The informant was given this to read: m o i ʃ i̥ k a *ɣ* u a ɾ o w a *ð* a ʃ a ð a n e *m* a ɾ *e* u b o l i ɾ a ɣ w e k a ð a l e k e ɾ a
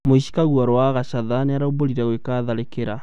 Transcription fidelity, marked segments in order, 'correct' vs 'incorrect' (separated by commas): correct, incorrect, incorrect, incorrect